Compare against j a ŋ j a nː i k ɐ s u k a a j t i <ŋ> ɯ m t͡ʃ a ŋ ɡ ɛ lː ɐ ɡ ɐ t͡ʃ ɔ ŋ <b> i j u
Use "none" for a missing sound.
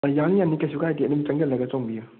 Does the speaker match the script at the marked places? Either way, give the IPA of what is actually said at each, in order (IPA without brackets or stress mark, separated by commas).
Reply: n, b